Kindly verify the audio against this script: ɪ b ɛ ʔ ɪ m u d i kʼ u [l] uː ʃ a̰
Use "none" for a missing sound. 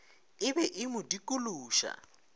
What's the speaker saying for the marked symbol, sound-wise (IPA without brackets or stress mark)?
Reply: l